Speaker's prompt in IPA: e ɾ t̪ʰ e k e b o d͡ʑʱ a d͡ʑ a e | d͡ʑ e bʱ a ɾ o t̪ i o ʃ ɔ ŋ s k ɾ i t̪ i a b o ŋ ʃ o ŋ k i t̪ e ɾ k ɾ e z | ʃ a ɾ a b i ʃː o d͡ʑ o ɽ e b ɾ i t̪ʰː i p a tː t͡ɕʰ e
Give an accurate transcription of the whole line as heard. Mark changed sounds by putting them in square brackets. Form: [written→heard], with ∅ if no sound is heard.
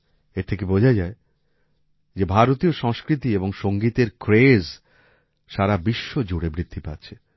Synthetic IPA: e ɾ t̪ʰ e k e b o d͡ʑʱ a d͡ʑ a e | d͡ʑ e bʱ a ɾ o t̪ i o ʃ ɔ ŋ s k ɾ i t̪ i [a→e] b o ŋ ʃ o ŋ [k→ɡ] i t̪ e ɾ k ɾ e z | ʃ a ɾ a b i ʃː o d͡ʑ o ɽ e b ɾ i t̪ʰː i p a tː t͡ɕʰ e

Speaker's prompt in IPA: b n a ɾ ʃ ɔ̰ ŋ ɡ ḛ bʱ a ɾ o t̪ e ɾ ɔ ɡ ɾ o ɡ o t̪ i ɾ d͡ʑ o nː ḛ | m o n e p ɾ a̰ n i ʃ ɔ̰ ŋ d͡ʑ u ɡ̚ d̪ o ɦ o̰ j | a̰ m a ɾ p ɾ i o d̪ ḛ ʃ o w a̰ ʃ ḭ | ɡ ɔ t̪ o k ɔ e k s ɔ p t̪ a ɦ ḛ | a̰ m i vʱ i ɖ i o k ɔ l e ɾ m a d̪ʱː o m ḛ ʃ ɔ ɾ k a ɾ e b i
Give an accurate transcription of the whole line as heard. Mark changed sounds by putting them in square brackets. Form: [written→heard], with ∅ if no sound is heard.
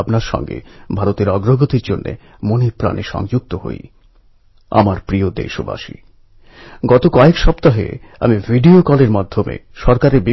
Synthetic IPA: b n a ɾ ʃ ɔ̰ ŋ ɡ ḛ bʱ a ɾ o t̪ e ɾ ɔ ɡ ɾ o ɡ o t̪ i ɾ d͡ʑ o nː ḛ | m o n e p ɾ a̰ n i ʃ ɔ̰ ŋ d͡ʑ u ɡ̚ [d̪→t̪] o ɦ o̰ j | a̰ m a ɾ p ɾ i o d̪ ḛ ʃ o [w→b] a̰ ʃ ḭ | ɡ ɔ t̪ o k ɔ e k [s→ʃ] ɔ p t̪ a ɦ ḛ | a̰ m i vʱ i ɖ i o k ɔ l e ɾ m a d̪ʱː o m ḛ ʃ ɔ ɾ k a ɾ e b i

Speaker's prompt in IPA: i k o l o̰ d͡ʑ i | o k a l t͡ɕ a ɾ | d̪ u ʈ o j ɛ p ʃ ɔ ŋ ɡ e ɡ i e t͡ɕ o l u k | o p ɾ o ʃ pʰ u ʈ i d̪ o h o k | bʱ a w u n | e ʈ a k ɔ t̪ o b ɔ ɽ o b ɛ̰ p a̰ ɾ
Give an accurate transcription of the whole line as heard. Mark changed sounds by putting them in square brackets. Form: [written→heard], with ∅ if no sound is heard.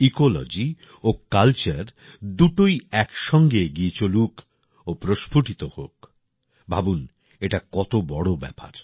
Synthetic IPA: i k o l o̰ d͡ʑ i | o k a l t͡ɕ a ɾ | d̪ u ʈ o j ɛ [p→k] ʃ ɔ ŋ ɡ e ɡ i e t͡ɕ o l u k | o p ɾ o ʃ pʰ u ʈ i [d̪→t̪] o h o k | bʱ a [w→b] u n | e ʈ a k ɔ t̪ o b ɔ ɽ o b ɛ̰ p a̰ ɾ

